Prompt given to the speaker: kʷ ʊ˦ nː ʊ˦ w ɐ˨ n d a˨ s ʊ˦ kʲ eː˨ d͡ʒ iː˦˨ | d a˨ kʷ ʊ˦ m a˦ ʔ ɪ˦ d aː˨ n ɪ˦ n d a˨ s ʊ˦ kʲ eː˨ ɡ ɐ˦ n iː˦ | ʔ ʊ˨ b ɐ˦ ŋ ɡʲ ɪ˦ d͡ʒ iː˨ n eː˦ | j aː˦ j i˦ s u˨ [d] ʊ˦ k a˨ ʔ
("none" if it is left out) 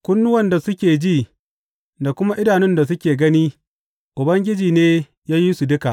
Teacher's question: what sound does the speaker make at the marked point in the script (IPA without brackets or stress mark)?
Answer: d